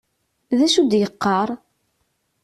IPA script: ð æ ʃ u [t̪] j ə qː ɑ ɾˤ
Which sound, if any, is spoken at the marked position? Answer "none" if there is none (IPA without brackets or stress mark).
d̪